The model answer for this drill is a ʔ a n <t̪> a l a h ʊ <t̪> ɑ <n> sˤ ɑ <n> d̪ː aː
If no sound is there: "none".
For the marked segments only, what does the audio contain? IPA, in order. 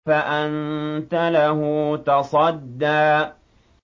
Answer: t̪, t̪, none, none

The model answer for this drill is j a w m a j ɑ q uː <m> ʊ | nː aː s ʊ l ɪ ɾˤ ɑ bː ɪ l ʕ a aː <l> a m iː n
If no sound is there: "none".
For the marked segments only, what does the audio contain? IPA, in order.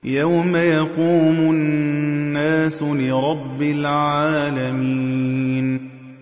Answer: m, l

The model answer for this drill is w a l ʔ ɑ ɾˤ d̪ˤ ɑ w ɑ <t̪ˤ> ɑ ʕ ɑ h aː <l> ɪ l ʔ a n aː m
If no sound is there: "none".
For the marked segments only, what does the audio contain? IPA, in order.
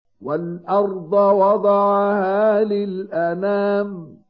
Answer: d̪ˤ, l

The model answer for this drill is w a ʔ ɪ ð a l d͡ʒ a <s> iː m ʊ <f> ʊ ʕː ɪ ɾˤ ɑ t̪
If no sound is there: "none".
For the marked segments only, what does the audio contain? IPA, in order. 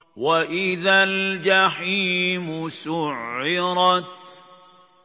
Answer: ħ, s

